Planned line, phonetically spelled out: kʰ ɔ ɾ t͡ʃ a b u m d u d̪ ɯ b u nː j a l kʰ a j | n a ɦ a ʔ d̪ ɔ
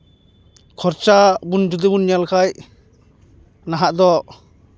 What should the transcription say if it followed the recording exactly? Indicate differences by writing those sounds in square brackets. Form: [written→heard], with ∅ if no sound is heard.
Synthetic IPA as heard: kʰ ɔ ɾ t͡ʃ a b u [m→n] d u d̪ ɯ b u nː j a l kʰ a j | n a ɦ a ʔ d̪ ɔ